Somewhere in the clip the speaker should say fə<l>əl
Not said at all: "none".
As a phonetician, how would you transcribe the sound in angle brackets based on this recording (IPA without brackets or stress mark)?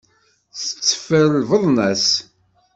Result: ɾ